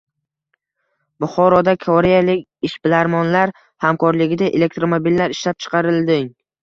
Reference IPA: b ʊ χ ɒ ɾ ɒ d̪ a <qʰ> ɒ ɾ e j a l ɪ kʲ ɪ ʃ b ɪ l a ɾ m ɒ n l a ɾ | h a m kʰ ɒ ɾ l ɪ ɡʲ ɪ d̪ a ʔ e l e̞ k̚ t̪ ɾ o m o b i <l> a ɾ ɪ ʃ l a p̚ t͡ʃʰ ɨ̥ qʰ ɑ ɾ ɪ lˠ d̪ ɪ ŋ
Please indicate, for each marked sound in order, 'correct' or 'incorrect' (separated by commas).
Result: incorrect, incorrect